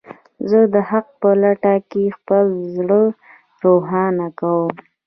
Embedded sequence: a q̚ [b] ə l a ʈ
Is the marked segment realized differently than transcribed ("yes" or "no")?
yes